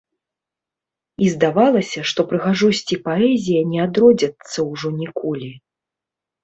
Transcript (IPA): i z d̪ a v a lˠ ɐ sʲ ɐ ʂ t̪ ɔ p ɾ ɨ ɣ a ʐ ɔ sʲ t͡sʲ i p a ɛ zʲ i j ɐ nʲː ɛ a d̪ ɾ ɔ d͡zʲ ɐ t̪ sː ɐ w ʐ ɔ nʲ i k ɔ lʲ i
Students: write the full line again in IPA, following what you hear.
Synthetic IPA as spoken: i z d̪ a v a lˠ ɐ sʲ ɐ ʂ t̪ ɔ p ɾ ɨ ɣ a ʐ ɔ sʲ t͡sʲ i p a ɛ zʲ i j ɐ nʲ ɛ a d̪ ɾ ɔ d͡zʲ ɐ t̪ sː ɐ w ʐ ɔ nʲ i k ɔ lʲ i